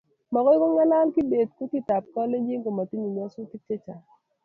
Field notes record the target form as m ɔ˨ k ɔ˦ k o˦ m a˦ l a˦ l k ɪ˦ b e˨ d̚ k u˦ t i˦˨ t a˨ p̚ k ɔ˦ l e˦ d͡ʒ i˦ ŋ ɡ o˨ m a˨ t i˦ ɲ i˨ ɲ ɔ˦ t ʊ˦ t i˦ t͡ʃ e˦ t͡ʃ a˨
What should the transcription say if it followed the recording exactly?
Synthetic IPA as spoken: m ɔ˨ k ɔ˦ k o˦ ŋ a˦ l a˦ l k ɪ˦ b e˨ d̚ k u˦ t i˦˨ t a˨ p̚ k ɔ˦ l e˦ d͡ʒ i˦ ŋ ɡ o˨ m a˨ t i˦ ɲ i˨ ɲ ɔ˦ s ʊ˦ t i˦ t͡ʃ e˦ t͡ʃ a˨